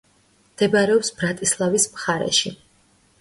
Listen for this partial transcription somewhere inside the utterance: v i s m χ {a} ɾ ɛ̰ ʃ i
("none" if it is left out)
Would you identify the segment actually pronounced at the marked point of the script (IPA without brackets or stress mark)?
a